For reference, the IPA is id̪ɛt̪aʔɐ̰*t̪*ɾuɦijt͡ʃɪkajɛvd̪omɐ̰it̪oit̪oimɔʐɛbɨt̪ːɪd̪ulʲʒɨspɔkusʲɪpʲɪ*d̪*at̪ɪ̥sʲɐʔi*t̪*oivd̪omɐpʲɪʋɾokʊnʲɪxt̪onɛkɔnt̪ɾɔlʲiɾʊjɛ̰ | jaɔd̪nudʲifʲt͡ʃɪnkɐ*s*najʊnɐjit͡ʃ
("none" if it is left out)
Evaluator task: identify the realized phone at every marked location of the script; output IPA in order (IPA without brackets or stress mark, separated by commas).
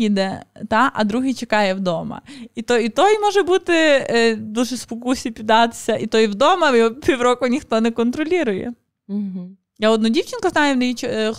d̪, d̪, t̪, z